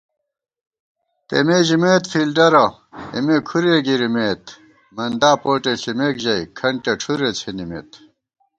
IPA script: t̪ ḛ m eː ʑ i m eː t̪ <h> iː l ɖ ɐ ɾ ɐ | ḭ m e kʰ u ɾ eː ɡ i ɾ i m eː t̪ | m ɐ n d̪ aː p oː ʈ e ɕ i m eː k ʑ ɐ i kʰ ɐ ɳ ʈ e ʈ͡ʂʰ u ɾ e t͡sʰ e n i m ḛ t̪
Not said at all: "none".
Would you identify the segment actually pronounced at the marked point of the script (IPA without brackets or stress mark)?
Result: f